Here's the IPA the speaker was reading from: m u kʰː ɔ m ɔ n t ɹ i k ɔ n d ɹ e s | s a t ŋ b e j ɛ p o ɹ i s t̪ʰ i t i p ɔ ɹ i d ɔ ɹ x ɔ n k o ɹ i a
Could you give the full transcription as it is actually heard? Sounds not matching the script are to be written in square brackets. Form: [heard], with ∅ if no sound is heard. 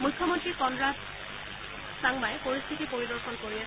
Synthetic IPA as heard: m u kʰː ɔ m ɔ n t ɹ i k ɔ n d ɹ [a] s | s a [∅] ŋ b [a] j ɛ p o ɹ i s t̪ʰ i t i p [o] ɹ i d ɔ ɹ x ɔ n k o ɹ i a